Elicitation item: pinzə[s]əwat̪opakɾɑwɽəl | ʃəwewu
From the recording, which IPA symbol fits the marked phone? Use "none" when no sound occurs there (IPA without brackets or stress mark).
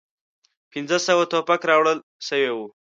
s